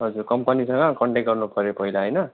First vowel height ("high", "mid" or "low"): mid